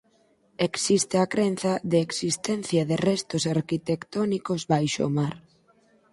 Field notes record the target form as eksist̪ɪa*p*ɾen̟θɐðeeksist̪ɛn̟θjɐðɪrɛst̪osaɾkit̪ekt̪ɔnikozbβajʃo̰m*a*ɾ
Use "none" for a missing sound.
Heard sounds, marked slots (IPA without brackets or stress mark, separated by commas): k, a